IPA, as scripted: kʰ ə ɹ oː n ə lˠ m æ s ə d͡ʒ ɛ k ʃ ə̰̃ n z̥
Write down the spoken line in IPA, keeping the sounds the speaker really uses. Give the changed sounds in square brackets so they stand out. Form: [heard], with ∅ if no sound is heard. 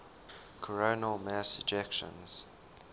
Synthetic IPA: kʰ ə ɹ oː n ə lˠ m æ s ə d͡ʒ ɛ k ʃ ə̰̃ n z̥